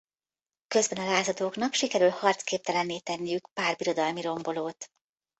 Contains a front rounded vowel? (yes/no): yes